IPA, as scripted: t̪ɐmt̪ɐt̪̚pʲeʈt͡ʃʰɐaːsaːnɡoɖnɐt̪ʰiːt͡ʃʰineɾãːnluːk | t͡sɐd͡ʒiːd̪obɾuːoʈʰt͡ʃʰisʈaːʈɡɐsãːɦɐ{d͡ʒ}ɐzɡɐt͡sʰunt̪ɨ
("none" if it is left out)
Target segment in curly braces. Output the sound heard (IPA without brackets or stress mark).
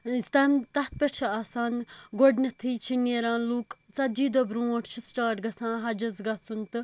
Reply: d͡ʒ